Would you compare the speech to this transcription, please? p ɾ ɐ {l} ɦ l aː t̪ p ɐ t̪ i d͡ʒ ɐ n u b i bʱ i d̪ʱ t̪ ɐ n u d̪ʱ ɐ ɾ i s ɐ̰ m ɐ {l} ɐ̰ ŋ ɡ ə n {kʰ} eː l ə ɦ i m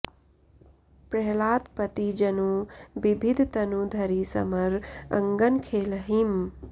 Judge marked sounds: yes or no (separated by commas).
no, no, yes